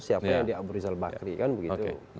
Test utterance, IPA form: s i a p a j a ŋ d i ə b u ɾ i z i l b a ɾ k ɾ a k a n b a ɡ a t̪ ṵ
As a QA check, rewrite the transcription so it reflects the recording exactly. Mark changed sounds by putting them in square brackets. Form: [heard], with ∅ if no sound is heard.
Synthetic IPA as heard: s i a p a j a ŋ d i [a] b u ɾ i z [a] l b a [∅] k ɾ [i] k a n b [ə] ɡ [i] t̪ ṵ